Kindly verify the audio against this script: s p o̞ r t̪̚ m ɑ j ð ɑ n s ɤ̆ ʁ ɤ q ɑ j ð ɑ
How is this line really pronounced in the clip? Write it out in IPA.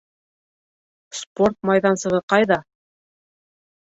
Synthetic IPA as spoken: s p o̞ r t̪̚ m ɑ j ð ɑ n s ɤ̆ ʁ ɤ q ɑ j ð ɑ